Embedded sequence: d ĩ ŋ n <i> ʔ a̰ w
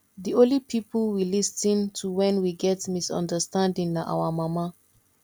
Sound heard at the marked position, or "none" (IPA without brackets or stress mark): a